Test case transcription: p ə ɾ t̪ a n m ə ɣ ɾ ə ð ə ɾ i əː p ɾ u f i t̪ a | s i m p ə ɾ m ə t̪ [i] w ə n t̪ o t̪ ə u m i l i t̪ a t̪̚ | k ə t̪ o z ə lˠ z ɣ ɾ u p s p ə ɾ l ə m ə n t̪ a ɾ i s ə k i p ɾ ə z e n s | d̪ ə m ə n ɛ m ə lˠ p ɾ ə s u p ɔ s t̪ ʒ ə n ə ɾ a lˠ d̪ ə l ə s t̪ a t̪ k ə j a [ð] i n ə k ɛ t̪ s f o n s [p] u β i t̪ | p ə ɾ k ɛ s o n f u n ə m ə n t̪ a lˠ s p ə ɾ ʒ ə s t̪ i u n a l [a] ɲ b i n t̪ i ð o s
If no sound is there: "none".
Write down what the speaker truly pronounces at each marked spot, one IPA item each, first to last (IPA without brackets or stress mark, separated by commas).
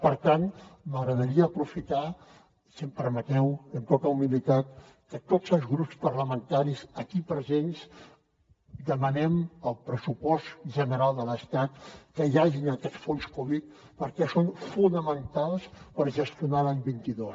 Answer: ɛ, ʒ, k, a